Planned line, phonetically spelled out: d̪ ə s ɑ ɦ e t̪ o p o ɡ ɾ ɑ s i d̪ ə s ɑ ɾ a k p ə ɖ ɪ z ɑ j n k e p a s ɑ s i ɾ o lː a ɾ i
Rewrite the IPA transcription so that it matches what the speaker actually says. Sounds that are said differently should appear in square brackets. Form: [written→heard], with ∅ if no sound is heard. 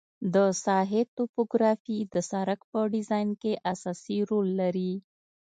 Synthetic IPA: d̪ ə s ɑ ɦ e t̪ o p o ɡ ɾ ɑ [s→f] i d̪ ə s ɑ ɾ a k p ə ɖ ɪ z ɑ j n k e [p→ʔ] a s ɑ s i ɾ o lː a ɾ i